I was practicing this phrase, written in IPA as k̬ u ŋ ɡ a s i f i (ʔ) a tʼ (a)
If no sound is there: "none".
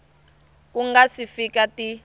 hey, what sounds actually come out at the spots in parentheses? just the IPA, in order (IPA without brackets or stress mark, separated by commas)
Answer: k, i